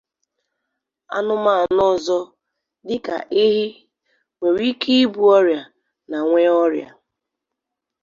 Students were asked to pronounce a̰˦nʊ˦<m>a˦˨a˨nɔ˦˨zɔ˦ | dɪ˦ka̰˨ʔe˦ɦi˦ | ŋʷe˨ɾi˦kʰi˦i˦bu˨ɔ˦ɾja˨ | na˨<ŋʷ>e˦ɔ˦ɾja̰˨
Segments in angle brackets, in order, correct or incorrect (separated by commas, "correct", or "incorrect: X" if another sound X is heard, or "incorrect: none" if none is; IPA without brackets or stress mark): correct, correct